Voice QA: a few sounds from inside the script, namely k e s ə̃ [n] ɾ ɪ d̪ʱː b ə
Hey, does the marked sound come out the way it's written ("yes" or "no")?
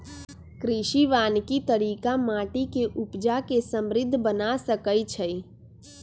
no